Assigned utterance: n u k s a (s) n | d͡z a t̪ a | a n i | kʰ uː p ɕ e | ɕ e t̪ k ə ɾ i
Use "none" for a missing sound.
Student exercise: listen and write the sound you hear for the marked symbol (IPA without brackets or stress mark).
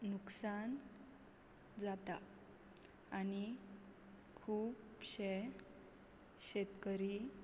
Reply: none